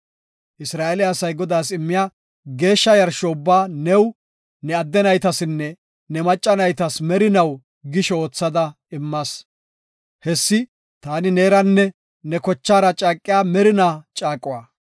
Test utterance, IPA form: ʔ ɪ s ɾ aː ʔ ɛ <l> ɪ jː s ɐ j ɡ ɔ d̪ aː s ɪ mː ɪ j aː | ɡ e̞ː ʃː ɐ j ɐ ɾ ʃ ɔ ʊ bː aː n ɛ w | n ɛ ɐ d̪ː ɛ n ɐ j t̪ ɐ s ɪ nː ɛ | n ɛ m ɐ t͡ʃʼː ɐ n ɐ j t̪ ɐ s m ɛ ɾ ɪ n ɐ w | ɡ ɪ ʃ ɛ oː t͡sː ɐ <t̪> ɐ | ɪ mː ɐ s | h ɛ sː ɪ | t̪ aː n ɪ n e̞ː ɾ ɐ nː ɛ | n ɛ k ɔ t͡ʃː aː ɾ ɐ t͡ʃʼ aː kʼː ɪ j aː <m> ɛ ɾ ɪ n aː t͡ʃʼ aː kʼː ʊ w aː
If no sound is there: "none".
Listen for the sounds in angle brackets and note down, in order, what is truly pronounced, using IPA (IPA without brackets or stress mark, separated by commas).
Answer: l, d̪, m